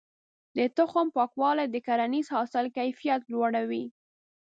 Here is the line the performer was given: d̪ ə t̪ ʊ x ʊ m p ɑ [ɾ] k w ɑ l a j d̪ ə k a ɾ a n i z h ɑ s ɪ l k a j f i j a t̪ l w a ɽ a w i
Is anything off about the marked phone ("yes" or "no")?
yes